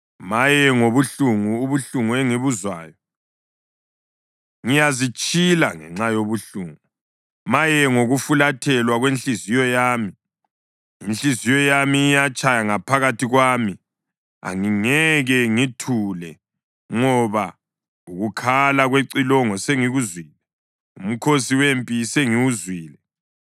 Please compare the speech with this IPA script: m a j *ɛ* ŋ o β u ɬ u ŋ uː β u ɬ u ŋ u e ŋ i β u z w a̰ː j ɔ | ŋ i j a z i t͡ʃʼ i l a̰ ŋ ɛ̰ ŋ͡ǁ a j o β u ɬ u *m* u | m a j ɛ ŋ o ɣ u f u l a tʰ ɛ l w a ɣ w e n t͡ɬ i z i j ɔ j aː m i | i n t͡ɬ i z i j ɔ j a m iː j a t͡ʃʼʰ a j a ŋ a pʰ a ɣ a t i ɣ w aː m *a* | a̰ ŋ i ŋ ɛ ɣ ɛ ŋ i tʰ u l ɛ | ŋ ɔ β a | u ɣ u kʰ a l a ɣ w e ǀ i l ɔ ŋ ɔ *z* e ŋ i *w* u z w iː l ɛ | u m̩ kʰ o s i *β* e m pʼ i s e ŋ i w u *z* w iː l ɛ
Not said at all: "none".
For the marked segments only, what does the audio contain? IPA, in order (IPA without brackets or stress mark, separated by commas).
ɛ, ŋ, i, s, ɣ, w, z